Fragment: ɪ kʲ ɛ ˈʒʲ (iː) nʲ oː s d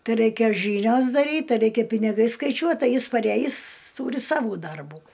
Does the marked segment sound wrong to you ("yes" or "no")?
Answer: no